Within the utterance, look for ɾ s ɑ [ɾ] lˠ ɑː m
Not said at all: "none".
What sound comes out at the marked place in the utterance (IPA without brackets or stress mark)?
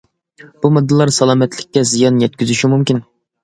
none